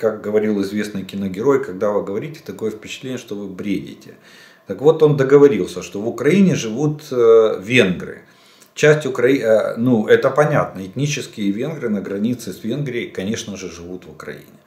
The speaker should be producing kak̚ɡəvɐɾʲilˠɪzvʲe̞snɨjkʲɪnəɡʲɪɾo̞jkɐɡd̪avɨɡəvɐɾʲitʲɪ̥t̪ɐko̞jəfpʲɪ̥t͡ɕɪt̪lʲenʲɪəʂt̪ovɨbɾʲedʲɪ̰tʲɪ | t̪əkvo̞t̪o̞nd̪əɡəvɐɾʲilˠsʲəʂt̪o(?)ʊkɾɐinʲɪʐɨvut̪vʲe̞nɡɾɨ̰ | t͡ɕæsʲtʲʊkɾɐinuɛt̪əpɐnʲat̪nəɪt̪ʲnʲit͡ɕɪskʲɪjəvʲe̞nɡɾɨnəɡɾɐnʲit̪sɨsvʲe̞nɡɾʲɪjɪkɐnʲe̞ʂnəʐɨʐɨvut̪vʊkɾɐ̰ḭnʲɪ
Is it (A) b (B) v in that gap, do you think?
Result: B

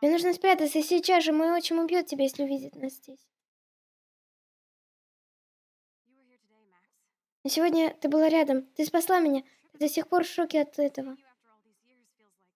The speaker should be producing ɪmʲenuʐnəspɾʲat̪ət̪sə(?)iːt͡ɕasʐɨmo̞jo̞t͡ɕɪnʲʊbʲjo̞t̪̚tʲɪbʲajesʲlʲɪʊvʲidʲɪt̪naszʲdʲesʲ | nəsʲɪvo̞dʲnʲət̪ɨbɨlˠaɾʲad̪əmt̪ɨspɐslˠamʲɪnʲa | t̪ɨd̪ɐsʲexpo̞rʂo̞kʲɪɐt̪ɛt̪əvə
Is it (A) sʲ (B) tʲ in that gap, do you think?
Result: A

